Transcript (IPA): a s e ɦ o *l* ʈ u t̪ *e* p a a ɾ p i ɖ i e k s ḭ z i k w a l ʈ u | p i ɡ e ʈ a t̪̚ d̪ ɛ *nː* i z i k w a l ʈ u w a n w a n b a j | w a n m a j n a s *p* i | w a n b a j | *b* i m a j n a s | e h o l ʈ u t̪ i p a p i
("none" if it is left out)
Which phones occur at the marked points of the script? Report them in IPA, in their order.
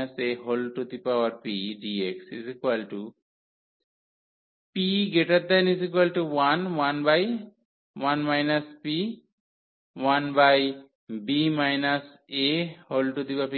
l, i, n, p, b

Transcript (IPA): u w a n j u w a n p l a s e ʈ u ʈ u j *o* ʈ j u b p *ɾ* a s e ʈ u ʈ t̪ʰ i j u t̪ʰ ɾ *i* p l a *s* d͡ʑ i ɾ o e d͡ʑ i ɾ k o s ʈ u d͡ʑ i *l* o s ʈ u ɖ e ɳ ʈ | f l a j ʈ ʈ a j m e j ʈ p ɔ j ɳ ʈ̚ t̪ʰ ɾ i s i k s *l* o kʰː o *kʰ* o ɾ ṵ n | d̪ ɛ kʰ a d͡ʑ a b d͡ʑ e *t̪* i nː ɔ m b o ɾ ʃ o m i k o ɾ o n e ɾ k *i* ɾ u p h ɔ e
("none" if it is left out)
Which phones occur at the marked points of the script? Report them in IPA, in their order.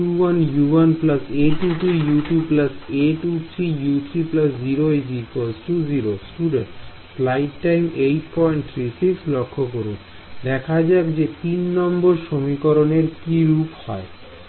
u, l, i, s, ɾ, l, k, t̪, i

